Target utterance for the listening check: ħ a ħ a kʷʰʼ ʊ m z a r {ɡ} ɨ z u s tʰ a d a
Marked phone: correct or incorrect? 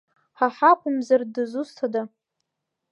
incorrect